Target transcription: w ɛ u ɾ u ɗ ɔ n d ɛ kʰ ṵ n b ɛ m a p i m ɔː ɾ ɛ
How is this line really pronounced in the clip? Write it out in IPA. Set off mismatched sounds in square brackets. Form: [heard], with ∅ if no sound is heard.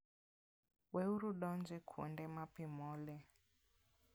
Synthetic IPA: w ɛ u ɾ u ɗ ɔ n [d͡ʒ] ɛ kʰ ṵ n [d] ɛ m a p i m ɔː [l] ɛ

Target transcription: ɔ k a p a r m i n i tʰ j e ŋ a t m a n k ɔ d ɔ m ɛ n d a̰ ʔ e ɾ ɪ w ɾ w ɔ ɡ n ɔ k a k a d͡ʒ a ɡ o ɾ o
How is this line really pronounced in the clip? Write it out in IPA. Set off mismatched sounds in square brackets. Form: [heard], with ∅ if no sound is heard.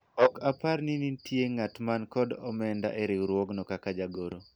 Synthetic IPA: ɔ k a p a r [n] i n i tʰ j e ŋ a t m a n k ɔ d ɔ m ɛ n d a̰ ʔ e ɾ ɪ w ɾ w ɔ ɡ n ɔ k a k a d͡ʒ a ɡ o ɾ o

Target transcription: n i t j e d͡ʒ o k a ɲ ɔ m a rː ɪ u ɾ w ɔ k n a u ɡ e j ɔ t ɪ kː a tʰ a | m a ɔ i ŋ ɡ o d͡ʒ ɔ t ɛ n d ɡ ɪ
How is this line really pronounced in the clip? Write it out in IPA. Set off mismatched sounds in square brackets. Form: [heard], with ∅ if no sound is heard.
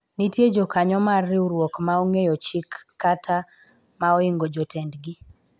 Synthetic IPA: n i t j e d͡ʒ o k a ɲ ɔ m a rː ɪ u ɾ w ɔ k [m] a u [ŋ] e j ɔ [t͡ʃ] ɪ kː a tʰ a | m a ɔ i ŋ ɡ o d͡ʒ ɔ t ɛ n d ɡ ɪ

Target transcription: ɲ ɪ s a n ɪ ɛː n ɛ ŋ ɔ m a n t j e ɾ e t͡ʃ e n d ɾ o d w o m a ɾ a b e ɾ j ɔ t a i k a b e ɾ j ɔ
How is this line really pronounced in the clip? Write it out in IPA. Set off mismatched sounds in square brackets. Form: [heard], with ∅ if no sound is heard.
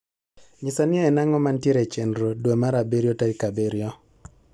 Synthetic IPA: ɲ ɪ s a n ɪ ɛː n [a] ŋ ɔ m a n t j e ɾ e t͡ʃ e n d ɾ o d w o m a ɾ a b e ɾ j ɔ t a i k a b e ɾ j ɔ

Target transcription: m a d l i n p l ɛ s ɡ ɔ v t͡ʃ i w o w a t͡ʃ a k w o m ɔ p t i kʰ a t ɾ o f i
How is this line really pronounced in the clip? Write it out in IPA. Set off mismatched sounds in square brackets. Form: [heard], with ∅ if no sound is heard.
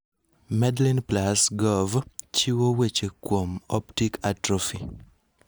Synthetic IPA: m [ɛ] d l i n p l [a] s ɡ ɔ v t͡ʃ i w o w [e] t͡ʃ [e] k w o m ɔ p t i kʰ a t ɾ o f i

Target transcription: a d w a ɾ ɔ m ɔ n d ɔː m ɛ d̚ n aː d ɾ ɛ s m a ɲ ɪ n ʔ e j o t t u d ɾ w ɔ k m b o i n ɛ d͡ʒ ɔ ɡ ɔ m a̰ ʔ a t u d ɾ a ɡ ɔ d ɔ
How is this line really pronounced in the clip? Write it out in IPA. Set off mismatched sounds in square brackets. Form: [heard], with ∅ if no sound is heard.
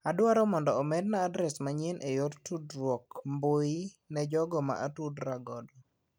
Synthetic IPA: a d w a ɾ ɔ m ɔ n d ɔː m ɛ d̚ n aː d ɾ ɛ s m a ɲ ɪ n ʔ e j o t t u d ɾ w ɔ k m b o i n ɛ d͡ʒ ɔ ɡ ɔ m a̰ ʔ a t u d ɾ a ɡ ɔ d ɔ

